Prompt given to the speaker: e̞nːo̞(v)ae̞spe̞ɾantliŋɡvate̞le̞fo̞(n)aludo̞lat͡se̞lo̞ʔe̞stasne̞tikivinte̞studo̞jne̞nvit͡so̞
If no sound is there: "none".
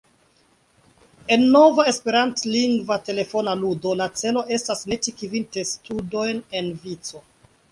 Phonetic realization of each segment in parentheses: v, n

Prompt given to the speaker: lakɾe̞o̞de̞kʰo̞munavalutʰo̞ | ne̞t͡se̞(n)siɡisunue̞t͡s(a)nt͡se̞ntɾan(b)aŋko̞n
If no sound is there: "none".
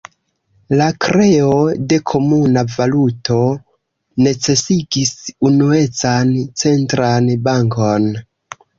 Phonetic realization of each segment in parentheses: none, a, b

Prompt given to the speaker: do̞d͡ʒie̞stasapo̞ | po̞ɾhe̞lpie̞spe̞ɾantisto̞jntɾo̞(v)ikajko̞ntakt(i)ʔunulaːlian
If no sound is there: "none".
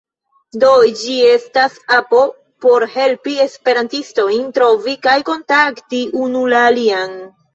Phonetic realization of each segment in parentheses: v, i

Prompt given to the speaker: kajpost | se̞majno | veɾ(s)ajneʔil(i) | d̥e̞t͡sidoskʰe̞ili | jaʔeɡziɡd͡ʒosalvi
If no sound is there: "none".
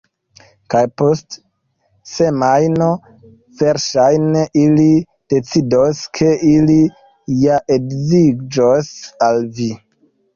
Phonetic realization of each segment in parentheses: ʃ, i

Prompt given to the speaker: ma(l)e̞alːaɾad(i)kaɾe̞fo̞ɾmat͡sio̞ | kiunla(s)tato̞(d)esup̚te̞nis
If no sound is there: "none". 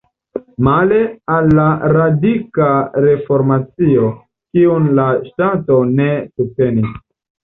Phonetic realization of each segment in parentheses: l, i, ʃ, n

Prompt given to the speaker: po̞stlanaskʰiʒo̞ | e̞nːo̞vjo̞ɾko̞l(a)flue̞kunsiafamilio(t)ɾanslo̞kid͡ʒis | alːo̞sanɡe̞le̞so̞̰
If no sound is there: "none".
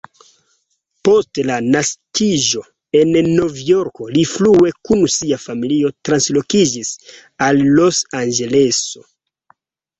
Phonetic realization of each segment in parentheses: i, t

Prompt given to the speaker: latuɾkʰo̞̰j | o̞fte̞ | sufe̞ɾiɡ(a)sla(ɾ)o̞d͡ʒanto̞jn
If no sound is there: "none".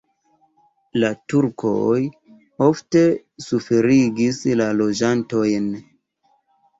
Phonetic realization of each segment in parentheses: i, l

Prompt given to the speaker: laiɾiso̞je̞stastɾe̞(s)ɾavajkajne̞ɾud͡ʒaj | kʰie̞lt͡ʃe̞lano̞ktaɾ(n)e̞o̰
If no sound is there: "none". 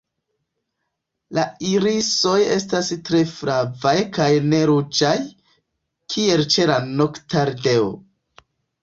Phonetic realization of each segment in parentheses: f, d

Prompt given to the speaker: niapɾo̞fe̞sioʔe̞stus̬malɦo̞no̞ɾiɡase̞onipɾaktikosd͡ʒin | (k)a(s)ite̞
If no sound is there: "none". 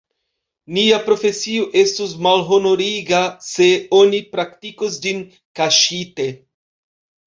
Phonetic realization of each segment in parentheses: k, ʃ

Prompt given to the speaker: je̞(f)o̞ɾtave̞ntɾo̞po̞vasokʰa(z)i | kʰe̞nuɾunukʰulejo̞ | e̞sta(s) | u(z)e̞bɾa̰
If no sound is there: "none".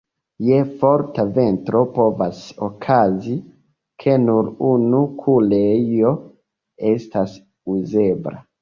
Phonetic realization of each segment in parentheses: f, z, s, z

